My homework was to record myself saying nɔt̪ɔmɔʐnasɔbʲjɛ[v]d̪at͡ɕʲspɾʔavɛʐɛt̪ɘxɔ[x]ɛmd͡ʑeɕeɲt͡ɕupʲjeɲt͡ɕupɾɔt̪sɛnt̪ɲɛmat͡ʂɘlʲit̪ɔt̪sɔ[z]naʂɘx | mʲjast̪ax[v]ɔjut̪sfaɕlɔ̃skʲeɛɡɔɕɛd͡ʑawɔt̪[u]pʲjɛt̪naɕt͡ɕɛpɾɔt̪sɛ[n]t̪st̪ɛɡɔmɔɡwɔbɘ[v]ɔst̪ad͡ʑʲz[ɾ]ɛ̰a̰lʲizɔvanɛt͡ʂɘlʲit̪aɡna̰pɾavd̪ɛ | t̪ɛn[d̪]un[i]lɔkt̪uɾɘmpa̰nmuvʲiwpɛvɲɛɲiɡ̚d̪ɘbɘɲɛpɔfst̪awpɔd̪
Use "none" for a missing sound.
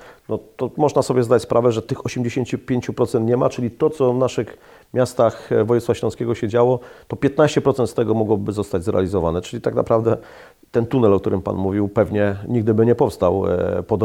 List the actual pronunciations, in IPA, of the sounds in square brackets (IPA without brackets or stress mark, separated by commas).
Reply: z, ɕ, v, v, ɔ, n, z, ɾ, t̪, ɛ